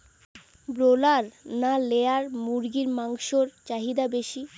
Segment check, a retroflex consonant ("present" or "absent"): absent